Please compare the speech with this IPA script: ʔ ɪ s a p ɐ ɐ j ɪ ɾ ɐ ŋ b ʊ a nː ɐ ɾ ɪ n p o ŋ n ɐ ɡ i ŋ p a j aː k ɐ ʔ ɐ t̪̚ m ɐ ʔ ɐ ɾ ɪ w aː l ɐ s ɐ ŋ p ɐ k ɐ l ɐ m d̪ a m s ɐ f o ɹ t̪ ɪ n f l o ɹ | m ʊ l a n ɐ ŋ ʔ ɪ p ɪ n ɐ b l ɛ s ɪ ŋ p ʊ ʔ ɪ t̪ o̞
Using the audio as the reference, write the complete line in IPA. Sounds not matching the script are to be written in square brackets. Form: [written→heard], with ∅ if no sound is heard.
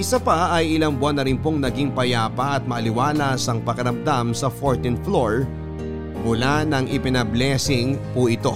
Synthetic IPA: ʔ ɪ s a p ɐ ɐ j ɪ [ɾ→l] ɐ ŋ b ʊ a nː ɐ ɾ ɪ n p o ŋ n ɐ ɡ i ŋ p [a→ɐ] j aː [k→p] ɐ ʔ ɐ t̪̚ m ɐ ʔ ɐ [ɾ→l] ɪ w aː l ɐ s ɐ ŋ p ɐ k ɐ [l→ɾ] ɐ m d̪ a m s ɐ f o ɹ t̪ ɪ n f l o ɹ | m ʊ l a n ɐ ŋ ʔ ɪ p ɪ n ɐ b l ɛ s ɪ ŋ p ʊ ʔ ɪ t̪ o̞